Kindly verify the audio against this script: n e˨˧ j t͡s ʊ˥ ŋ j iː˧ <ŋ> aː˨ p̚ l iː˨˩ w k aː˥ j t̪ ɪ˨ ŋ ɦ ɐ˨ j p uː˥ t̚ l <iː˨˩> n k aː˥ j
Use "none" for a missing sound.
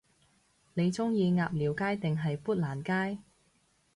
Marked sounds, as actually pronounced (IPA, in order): ŋ, aː˨˩

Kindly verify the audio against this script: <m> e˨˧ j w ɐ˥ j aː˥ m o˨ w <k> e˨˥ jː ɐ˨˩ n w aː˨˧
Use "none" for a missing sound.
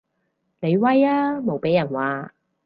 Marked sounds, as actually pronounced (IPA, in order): n, p

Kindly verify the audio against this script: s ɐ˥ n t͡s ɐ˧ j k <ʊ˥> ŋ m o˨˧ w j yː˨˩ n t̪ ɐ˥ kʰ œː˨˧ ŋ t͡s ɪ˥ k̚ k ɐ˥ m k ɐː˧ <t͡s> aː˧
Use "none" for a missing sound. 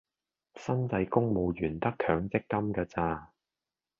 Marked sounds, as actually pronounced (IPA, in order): ʊ˥, t͡s

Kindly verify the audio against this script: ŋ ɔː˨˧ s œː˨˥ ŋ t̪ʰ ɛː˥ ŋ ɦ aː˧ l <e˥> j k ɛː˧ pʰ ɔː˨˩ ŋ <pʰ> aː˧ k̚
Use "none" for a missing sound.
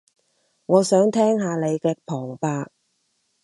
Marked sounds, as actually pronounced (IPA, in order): e˨˧, p

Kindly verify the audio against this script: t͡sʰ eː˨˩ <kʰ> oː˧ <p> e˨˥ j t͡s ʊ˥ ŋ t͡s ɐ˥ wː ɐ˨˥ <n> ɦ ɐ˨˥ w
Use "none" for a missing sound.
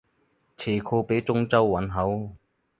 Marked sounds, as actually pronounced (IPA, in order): kʰ, p, n

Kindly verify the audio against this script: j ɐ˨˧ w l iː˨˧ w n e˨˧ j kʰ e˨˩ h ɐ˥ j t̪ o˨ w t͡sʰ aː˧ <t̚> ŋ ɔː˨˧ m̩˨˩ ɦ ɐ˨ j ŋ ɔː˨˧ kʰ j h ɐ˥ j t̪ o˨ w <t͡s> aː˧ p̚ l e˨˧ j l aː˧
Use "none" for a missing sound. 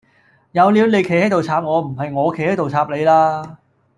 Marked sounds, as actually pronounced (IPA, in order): p̚, t͡sʰ

